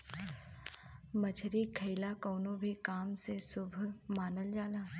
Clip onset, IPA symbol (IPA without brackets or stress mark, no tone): m